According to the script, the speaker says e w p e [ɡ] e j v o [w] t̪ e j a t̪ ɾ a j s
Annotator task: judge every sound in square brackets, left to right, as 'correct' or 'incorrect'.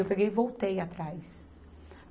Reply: correct, correct

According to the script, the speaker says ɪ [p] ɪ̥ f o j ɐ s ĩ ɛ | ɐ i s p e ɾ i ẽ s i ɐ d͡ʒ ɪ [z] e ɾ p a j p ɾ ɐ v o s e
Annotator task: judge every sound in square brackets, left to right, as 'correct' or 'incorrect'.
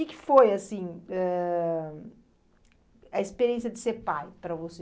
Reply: incorrect: k, incorrect: s

